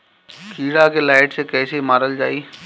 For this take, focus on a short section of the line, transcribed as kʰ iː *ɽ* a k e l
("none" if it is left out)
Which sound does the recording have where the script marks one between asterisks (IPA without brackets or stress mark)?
ɽ